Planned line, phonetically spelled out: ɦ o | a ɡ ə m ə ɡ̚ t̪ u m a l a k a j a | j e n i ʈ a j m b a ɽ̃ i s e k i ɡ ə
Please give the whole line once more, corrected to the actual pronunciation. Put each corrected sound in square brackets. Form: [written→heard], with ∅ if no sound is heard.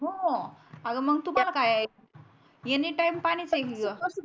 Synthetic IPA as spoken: ɦ o | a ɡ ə m ə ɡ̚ t̪ u m a l a k a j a | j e n i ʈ a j m [b→p] a ɽ̃ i [s→t͡s] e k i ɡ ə